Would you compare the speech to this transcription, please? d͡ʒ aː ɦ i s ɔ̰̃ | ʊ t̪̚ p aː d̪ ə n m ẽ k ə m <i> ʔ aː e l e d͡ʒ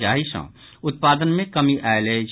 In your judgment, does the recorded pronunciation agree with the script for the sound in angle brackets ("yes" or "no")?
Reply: yes